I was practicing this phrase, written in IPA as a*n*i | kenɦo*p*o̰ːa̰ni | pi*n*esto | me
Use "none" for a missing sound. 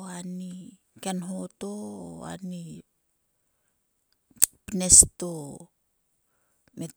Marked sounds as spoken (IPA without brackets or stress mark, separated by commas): n, t, n